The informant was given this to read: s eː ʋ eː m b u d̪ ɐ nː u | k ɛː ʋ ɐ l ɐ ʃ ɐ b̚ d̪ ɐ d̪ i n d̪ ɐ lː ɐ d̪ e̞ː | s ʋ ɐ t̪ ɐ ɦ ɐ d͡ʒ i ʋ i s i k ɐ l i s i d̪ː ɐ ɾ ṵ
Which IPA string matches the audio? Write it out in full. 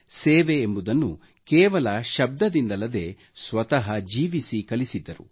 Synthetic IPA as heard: s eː ʋ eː m b u d̪ ɐ nː u | k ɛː ʋ ɐ l ɐ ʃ ɐ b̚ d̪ ɐ d̪ i n d̪ ɐ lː ɐ d̪ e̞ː | s ʋ ɐ t̪ ɐ ɦ ɐ d͡ʒ iː ʋ i s i k ɐ l i s i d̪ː ɐ ɾ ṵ